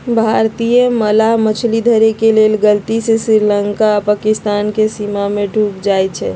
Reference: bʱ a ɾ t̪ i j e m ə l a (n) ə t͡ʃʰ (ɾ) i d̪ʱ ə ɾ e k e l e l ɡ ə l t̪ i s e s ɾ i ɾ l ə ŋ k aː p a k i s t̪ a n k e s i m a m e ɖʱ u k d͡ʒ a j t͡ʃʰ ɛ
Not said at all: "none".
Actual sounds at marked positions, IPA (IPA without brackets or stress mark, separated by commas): m, l